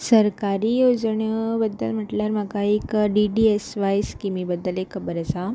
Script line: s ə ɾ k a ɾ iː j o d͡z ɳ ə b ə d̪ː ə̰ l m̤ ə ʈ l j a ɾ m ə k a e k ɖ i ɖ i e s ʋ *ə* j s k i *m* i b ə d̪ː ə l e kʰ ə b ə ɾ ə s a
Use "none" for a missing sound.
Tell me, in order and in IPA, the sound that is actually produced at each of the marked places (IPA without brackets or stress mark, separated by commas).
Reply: a, m